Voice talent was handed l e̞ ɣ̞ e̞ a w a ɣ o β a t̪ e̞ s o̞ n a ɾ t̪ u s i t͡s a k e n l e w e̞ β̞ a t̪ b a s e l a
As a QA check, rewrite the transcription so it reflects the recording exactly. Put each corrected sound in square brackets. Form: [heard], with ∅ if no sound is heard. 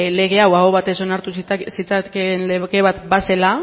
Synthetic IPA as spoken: l e̞ ɣ̞ e̞ a w a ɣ o β a t̪ e̞ s o̞ n a ɾ t̪ u s i t͡s a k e n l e [ɣ] e̞ β̞ a t̪ b a s e l a